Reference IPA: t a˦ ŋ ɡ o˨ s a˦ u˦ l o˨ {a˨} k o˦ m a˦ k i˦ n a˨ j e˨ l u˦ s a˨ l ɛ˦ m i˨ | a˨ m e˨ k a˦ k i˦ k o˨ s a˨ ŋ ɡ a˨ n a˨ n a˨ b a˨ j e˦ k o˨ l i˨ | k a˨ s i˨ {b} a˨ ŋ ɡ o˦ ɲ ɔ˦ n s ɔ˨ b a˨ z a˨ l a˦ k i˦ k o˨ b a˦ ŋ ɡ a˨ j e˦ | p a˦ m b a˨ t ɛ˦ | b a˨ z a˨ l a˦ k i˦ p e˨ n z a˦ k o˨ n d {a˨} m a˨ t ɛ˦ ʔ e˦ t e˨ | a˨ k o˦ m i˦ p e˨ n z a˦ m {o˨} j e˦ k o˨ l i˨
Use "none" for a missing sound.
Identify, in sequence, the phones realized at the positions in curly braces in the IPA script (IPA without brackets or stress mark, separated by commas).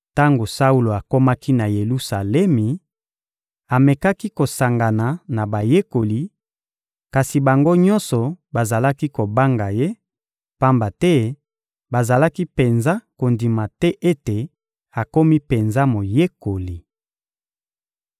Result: a˨, b, i˨, o˨